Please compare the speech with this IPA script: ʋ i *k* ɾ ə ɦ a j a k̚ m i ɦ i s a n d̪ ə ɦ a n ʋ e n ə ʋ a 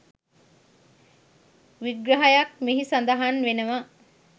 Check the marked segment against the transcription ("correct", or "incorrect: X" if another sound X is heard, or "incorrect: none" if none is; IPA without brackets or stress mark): incorrect: ɡ